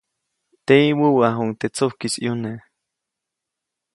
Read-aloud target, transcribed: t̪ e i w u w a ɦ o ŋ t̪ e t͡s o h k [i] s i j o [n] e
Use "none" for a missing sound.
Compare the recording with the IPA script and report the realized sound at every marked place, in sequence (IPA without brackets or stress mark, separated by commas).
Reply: i, n